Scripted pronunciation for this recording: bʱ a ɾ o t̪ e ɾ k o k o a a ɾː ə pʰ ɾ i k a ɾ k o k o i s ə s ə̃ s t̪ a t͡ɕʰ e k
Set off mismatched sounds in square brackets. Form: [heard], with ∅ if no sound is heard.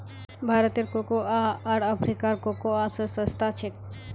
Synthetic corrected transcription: bʱ a ɾ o t̪ e ɾ k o k o a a [ɾ] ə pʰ ɾ i k a ɾ k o k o [a] s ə s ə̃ s t̪ a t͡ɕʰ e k